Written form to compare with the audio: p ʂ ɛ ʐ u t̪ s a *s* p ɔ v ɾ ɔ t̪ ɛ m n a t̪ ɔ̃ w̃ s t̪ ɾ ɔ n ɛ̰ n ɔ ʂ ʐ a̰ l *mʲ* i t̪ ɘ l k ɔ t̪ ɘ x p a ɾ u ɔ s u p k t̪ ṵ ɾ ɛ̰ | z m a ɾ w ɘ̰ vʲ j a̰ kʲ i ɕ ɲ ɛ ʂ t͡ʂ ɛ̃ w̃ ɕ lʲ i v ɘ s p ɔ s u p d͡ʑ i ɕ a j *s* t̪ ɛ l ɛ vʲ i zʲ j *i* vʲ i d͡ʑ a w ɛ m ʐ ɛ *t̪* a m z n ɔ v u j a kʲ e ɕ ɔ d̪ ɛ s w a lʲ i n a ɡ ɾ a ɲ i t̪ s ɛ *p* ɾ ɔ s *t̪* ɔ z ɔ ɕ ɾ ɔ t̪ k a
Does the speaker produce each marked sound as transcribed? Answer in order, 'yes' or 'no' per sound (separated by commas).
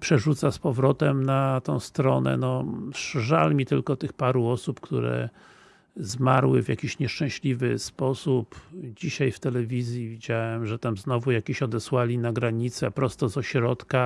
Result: yes, yes, no, yes, yes, yes, yes